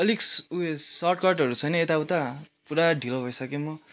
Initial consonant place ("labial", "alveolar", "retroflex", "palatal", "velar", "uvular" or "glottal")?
alveolar